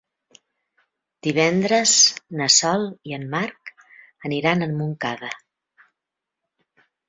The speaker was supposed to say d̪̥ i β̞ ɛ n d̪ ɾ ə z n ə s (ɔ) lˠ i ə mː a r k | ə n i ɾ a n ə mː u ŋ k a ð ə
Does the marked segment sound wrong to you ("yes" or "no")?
no